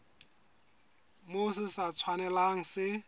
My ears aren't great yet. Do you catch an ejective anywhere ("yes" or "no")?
no